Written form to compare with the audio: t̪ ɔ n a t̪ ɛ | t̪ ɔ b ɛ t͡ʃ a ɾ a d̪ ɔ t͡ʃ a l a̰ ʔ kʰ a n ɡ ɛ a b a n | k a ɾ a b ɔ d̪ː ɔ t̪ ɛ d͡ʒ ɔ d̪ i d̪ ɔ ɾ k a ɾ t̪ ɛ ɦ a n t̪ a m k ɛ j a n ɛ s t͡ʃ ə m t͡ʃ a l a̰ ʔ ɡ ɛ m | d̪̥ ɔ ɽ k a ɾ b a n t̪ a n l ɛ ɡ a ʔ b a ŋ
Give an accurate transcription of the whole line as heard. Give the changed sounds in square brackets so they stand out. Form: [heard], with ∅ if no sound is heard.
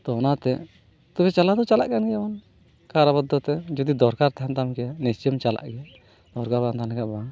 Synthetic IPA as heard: t̪ ɔ n a t̪ ɛ | t̪ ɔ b ɛ t͡ʃ a [l] a d̪ ɔ t͡ʃ a l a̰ ʔ [k] a n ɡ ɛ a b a n | k a ɾ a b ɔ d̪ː ɔ t̪ ɛ d͡ʒ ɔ d̪ i d̪ ɔ ɾ k a ɾ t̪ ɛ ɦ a n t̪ a m k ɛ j a n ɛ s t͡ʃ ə m t͡ʃ a l a̰ ʔ ɡ ɛ [∅] | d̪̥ ɔ [ɾ] k a ɾ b a n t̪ a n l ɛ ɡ a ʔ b a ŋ